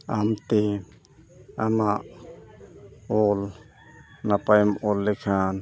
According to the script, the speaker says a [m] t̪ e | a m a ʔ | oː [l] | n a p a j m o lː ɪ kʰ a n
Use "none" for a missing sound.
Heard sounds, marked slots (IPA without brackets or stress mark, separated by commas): m, l